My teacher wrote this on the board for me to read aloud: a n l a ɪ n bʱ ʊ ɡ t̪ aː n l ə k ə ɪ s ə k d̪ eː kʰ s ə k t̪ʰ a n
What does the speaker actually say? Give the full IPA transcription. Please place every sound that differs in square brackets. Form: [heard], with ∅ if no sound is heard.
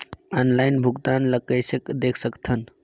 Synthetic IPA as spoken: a n l a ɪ n bʱ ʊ ɡ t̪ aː n l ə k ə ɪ s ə k d̪ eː kʰ s ə k t̪ʰ [ə] n